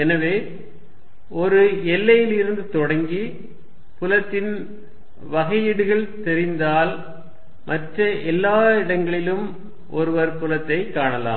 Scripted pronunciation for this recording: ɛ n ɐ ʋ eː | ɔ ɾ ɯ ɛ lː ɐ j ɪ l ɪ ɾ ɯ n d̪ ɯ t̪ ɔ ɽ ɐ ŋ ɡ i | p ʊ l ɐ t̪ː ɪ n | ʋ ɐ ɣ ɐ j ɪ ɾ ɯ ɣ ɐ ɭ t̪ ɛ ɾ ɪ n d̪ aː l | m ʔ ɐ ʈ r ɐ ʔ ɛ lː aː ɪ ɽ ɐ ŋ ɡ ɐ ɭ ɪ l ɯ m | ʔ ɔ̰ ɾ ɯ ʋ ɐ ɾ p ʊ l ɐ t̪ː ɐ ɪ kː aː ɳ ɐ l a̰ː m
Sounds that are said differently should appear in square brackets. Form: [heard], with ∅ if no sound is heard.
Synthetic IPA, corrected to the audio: ɛ n ɐ ʋ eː | ɔ ɾ ɯ ɛ lː ɐ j ɪ l ɪ ɾ ɯ n d̪ ɯ t̪ ɔ ɽ ɐ ŋ ɡ i | p ʊ l ɐ t̪ː ɪ n | ʋ ɐ ɣ ɐ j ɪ [ɽ] ɯ ɣ ɐ ɭ t̪ ɛ ɾ ɪ n d̪ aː l | m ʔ ɐ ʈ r ɐ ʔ ɛ lː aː ɪ ɽ ɐ ŋ ɡ ɐ ɭ ɪ l ɯ m | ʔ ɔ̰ ɾ ɯ ʋ ɐ ɾ p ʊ l ɐ t̪ː ɐ ɪ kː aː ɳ ɐ l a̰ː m